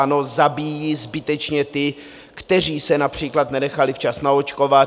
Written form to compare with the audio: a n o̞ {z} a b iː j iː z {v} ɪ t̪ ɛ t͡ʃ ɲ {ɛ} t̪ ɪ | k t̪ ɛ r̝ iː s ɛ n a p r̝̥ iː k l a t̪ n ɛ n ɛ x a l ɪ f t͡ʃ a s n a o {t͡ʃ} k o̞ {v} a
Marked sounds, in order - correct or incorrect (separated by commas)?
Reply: correct, incorrect, correct, correct, correct